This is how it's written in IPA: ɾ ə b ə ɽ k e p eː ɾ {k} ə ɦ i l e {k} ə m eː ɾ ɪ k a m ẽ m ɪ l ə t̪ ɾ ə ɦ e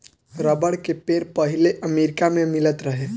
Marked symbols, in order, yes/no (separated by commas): no, no